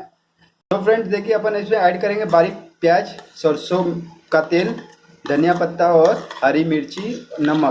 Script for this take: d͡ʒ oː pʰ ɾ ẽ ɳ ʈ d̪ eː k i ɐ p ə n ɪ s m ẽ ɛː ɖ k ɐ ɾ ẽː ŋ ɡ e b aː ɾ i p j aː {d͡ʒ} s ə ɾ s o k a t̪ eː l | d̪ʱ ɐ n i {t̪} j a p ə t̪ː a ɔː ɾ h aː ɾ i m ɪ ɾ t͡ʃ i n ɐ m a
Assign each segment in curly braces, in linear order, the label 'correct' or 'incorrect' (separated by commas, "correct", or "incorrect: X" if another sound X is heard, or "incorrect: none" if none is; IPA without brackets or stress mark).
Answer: correct, incorrect: none